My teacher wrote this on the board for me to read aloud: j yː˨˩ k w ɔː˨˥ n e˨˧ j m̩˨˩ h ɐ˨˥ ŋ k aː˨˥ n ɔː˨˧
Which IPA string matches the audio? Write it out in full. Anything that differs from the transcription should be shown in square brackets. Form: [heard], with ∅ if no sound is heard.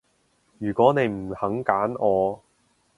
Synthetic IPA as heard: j yː˨˩ k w ɔː˨˥ n e˨˧ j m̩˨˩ h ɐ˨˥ ŋ k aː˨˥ n ɔː˨˧